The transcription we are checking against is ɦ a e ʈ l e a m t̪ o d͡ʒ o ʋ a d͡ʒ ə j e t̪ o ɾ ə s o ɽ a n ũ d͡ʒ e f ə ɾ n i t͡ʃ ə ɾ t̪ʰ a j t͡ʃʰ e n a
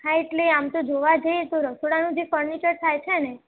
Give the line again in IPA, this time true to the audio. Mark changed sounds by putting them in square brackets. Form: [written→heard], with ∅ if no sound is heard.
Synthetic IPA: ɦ a e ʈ l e a m t̪ o d͡ʒ o ʋ a d͡ʒ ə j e t̪ o ɾ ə s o ɽ a n ũ d͡ʒ e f ə ɾ n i t͡ʃ ə ɾ t̪ʰ a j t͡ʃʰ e n [a→e]